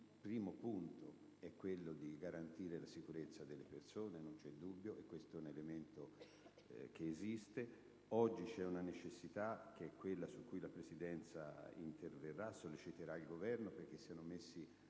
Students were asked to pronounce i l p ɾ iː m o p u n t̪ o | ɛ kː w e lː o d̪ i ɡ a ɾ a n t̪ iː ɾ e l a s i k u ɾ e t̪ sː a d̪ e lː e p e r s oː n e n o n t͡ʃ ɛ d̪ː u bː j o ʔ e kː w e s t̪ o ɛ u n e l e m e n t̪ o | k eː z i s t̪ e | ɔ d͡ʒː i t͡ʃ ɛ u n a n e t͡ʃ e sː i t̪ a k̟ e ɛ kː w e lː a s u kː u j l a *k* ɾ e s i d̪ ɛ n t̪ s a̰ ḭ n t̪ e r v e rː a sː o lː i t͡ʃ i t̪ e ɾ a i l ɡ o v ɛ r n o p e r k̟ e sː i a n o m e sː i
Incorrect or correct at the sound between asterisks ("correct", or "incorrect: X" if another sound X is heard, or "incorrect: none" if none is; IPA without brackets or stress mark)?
incorrect: p